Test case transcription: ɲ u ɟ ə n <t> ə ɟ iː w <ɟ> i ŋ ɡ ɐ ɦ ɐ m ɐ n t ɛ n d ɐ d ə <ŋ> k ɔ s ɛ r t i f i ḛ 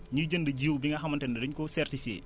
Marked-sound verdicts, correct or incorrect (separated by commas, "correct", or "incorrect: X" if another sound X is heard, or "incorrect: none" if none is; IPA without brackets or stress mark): incorrect: d, incorrect: b, incorrect: ɲ